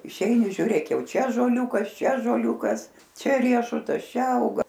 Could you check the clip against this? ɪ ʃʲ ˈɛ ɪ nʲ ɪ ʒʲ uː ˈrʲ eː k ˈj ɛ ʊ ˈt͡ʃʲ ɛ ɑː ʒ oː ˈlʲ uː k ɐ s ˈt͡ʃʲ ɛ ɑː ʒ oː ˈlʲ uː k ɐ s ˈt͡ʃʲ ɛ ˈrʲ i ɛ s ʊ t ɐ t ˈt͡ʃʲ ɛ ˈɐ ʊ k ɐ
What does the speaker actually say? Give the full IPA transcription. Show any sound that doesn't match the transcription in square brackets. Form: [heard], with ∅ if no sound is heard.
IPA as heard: ɪ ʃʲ ˈɛ ɪ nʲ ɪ ʒʲ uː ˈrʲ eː k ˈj ɛ ʊ ˈt͡ʃʲ ɛ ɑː ʒ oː ˈlʲ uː k ɐ s ˈt͡ʃʲ ɛ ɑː ʒ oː ˈlʲ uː k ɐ s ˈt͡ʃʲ ɛ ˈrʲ i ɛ [ʃ] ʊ t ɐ [s] ˈt͡ʃʲ ɛ ˈɐ ʊ [ɡ] ɐ